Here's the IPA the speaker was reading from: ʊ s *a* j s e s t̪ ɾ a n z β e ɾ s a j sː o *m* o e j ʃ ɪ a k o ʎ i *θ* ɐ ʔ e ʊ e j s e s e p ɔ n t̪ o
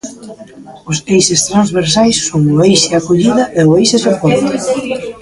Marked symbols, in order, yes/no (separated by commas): no, no, no